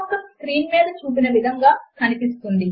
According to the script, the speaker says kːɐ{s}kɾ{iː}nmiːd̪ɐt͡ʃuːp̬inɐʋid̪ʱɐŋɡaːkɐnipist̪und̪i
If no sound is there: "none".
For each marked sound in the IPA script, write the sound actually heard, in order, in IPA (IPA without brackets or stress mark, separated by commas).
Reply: s, iː